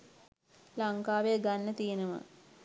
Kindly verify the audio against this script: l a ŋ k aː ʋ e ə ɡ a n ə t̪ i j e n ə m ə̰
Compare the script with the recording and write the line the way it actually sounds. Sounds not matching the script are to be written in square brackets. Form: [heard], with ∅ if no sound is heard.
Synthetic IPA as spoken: l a ŋ k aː ʋ e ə ɡ a [nː] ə t̪ i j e n ə m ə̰